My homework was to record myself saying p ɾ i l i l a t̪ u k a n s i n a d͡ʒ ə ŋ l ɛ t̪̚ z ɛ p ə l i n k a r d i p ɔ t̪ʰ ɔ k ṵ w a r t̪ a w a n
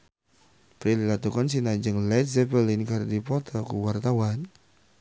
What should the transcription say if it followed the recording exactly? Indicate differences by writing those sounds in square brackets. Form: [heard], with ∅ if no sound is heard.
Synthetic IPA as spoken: p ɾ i l i l a t̪ u k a n s i n a d͡ʒ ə ŋ l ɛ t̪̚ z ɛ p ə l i n k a r d i p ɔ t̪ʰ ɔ k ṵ w a r t̪ a w a n